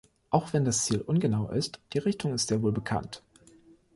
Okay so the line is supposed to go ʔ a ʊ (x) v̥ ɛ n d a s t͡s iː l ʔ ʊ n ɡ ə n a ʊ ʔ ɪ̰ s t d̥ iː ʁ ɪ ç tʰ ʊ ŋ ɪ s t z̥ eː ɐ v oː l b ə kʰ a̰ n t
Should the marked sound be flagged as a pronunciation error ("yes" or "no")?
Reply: no